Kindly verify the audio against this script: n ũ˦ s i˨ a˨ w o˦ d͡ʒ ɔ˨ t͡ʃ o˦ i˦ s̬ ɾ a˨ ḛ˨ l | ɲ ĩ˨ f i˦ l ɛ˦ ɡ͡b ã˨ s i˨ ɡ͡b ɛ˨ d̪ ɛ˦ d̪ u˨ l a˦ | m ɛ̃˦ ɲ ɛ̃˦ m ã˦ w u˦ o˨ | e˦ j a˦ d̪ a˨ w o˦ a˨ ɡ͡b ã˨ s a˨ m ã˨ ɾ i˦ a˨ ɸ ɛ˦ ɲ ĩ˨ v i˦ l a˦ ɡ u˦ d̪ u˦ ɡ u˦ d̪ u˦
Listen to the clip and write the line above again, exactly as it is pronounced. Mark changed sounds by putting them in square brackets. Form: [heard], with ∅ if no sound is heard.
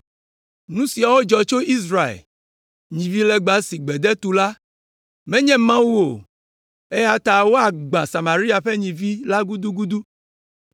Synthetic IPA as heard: n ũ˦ s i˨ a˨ w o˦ d͡ʒ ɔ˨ t͡ʃ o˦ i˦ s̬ ɾ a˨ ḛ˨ l | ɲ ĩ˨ [v] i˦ l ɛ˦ ɡ͡b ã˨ s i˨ ɡ͡b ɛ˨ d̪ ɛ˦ [t̪] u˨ l a˦ | m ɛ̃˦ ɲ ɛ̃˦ m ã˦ w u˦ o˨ | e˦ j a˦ [t̪] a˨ w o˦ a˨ ɡ͡b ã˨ s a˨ m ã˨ ɾ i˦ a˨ ɸ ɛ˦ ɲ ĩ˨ v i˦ l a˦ ɡ u˦ d̪ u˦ ɡ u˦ d̪ u˦